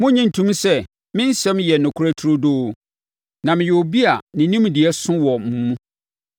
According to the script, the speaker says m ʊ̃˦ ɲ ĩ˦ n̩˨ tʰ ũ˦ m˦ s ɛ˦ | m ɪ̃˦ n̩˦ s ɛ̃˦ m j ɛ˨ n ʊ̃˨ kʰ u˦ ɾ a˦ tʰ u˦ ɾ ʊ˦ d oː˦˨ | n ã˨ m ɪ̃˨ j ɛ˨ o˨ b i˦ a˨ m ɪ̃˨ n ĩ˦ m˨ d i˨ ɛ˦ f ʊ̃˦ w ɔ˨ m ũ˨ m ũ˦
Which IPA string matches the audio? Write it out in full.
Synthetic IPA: m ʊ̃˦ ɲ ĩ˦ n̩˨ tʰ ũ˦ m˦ s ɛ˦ | m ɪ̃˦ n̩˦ s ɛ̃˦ m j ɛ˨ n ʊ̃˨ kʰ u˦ ɾ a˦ tʰ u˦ ɾ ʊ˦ d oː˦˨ | n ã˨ m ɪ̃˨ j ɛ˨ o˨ b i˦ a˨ n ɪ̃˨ n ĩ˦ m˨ d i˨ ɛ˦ s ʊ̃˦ w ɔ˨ m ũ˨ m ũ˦